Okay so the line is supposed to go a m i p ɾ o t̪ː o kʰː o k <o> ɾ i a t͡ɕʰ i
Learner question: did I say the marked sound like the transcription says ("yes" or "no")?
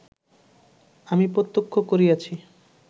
yes